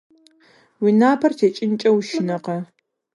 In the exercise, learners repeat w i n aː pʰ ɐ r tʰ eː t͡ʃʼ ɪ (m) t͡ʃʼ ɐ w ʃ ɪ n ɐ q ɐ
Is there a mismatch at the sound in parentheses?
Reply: yes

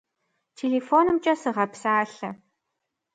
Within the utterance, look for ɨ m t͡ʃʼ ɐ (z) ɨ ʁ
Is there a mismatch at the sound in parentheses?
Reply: yes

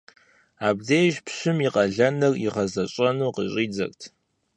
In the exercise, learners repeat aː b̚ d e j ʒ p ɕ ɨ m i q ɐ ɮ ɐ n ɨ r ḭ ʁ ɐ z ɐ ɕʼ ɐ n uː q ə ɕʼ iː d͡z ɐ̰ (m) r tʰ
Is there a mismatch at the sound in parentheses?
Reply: yes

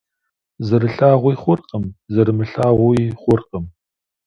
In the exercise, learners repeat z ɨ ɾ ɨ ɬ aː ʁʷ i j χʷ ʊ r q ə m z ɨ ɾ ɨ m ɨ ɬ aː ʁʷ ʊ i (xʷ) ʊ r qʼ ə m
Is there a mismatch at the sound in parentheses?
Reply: yes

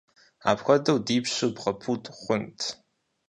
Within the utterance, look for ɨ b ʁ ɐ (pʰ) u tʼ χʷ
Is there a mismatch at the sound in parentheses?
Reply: no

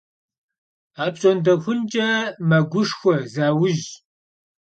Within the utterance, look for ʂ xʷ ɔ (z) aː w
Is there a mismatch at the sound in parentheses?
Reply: no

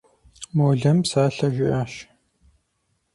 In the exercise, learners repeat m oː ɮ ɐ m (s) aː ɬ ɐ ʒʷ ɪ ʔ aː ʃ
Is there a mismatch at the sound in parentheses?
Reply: no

